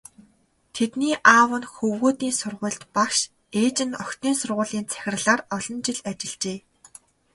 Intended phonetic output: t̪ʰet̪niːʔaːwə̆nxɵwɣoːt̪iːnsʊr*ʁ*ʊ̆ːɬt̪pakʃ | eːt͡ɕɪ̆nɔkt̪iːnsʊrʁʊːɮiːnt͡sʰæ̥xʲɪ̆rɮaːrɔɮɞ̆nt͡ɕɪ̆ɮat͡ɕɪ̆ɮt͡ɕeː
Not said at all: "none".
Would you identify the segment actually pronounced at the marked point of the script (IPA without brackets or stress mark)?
ʁ